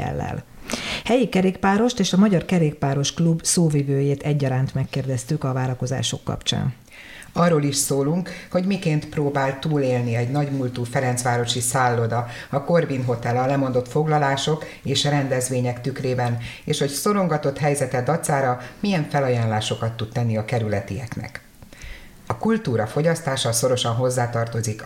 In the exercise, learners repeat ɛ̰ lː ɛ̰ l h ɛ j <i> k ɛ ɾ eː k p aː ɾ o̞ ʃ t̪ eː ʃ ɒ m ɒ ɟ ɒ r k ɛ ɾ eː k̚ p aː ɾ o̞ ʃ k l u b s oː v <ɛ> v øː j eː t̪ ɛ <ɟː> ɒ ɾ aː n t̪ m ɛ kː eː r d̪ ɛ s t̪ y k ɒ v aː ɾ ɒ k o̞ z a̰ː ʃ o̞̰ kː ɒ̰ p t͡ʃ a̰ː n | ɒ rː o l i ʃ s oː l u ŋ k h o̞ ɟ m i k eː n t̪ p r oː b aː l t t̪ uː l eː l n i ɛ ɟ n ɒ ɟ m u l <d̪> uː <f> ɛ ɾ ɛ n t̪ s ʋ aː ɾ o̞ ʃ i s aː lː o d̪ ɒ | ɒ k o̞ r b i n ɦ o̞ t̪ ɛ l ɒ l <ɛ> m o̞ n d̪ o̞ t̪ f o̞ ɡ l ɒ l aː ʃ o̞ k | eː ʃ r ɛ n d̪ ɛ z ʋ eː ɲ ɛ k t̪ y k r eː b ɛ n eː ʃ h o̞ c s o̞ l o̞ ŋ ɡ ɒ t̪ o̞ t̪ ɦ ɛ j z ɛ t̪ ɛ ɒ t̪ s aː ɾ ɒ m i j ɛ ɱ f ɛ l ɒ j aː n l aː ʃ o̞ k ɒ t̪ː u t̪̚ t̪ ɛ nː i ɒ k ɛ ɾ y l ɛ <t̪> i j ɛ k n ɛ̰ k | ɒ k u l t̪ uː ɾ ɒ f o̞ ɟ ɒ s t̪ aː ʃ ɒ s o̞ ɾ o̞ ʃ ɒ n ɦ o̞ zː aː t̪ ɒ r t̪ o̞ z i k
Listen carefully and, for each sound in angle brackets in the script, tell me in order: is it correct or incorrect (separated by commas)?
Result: correct, incorrect, correct, incorrect, correct, correct, correct